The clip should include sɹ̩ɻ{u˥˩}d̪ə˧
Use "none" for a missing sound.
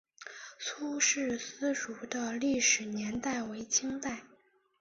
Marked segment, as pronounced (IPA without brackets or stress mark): u˧˥